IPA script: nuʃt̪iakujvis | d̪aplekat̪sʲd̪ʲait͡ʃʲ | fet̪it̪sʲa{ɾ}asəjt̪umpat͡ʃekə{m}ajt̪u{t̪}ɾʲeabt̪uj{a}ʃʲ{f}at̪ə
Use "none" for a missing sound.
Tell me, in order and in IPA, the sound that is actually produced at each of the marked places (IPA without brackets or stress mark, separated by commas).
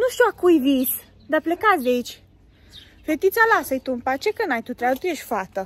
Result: l, n, t̪, e, f